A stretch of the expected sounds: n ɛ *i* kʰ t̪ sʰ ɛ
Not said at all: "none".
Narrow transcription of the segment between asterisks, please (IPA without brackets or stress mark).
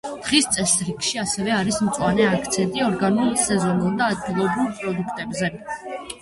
a